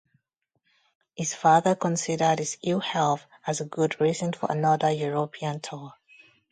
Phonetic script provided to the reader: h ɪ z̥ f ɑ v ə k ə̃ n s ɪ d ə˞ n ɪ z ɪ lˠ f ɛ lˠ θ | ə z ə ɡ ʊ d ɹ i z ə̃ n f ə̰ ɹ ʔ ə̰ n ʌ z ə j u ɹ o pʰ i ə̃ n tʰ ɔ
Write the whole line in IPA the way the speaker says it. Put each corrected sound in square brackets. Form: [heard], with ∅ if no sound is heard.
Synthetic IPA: h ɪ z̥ f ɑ [ð] ə k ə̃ n s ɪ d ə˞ [d] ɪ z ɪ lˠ [h] ɛ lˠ θ | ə z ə ɡ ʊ d ɹ i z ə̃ n f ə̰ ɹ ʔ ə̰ n ʌ [ð] ə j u ɹ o pʰ i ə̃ n tʰ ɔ